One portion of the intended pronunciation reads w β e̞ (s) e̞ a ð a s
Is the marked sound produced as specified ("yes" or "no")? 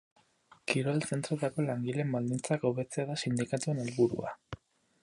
no